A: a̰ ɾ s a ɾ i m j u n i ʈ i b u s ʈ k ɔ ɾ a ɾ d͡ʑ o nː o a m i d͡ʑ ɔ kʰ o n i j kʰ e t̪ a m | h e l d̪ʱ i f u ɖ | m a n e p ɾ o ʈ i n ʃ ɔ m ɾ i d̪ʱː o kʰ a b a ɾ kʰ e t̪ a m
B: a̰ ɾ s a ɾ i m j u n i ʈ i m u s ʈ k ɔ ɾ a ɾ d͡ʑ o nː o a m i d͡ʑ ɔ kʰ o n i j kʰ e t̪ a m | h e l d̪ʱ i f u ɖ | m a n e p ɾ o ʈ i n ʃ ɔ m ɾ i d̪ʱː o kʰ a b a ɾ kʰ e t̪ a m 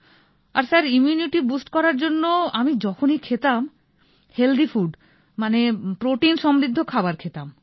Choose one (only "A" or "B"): A